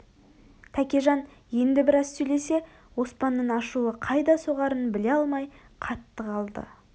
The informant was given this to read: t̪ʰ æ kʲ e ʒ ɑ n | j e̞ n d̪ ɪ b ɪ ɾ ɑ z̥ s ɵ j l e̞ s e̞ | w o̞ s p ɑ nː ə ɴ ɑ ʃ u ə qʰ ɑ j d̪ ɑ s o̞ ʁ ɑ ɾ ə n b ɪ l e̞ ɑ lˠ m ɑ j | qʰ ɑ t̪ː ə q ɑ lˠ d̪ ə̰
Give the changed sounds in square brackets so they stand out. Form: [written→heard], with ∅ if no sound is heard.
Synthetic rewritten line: t̪ʰ æ kʲ e ʒ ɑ n | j e̞ n d̪ ɪ b ɪ ɾ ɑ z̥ s ɵ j l e̞ s e̞ | w o̞ s p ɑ nː ə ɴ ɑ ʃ u ə qʰ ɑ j d̪ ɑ s o̞ ʁ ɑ ɾ ə n b ɪ l e̞ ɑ lˠ m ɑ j | qʰ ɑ t̪ː ə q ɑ lˠ d̪ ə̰